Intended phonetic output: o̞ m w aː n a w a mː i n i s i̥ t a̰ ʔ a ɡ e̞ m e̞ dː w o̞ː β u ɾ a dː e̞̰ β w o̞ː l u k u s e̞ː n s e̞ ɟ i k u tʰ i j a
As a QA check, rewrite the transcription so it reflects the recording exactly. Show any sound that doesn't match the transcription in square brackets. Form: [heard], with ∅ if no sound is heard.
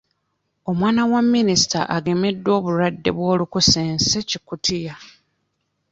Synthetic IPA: o̞ m w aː n a w a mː i n i s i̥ t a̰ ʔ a ɡ e̞ m e̞ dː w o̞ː β u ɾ a dː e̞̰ β w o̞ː l u k u s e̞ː n s e̞ [c] i k u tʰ i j a